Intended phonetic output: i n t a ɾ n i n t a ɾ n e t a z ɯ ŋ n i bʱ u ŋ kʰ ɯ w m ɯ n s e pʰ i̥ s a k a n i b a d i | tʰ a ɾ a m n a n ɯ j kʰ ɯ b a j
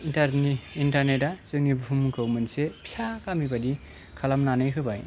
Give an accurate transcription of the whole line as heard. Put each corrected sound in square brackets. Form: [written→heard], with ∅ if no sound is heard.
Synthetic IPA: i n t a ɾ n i n t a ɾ n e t a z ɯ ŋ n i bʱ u [ŋ→m] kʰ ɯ w m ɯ n s e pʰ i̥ s a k a [n→m] i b a d i | [tʰ→kʰ] a [ɾ→l] a m n a n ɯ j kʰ ɯ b a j